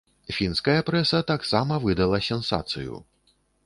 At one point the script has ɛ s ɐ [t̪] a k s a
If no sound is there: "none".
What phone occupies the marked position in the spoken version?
t̪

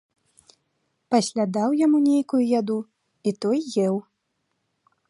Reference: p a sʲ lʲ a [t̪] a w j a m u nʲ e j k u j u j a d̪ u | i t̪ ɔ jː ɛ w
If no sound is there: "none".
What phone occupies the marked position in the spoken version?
d̪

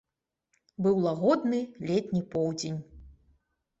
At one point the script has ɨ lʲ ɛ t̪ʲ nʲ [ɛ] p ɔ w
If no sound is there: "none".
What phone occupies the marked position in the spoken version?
i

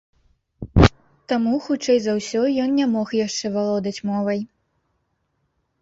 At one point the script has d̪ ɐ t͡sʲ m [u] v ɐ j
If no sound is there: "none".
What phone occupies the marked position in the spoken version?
ɔ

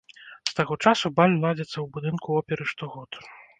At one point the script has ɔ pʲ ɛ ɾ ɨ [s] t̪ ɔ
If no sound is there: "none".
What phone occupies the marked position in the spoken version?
ʂ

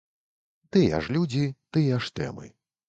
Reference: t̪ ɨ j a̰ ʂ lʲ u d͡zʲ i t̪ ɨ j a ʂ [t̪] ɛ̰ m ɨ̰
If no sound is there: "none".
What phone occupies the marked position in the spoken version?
t̪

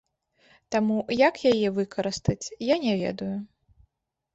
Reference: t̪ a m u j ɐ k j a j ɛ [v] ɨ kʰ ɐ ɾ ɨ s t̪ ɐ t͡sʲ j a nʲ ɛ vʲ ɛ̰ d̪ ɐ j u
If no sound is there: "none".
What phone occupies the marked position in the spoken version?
v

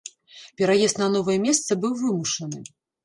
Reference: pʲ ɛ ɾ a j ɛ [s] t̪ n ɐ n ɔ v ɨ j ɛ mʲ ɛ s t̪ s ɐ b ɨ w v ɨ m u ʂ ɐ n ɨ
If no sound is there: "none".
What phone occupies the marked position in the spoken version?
s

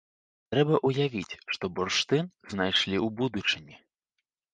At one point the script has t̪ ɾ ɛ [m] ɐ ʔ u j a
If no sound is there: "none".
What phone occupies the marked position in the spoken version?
b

